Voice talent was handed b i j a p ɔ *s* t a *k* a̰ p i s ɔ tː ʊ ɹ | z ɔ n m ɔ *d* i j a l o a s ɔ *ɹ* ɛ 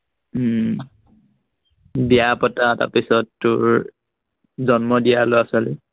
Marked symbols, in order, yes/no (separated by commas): no, no, yes, no